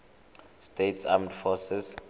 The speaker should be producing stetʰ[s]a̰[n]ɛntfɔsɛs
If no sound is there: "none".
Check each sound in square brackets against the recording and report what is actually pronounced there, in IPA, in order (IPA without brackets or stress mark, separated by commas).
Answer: s, m